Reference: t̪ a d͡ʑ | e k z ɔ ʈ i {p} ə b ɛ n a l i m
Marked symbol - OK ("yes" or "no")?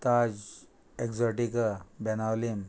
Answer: no